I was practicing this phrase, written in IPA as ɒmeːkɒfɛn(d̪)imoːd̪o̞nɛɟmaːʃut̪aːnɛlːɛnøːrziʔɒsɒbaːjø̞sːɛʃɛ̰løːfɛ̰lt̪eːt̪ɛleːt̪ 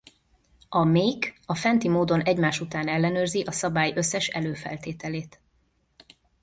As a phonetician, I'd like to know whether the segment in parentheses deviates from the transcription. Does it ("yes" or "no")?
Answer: yes